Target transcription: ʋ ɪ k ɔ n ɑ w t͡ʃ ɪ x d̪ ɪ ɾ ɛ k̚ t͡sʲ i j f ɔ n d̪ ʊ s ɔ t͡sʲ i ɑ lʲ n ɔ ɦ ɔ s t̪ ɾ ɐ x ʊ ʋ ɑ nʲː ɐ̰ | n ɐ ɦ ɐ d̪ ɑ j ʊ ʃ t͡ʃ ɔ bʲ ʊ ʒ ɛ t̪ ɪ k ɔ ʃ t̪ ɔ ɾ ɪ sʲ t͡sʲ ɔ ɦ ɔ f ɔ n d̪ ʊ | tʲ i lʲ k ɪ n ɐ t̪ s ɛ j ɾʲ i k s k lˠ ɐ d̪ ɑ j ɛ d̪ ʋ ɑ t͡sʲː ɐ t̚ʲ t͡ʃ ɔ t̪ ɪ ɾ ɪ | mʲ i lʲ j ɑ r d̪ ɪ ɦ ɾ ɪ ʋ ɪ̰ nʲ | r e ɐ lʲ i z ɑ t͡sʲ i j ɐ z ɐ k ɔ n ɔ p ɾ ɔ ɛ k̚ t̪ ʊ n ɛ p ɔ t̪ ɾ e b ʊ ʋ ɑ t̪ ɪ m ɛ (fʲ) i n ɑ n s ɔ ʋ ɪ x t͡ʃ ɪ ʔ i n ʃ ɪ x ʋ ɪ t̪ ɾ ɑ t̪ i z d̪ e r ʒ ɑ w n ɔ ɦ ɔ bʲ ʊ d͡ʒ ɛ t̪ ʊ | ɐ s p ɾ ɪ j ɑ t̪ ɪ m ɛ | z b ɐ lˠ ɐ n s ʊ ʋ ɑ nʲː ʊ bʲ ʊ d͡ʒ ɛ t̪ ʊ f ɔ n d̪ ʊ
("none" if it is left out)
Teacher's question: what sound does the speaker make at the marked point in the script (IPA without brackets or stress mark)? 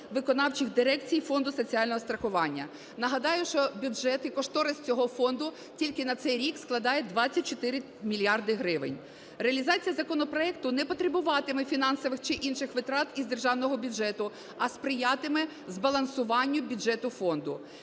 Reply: fʲ